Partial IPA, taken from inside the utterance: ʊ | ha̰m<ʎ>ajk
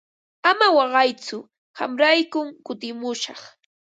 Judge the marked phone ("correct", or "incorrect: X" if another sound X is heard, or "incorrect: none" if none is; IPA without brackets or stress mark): incorrect: ɾ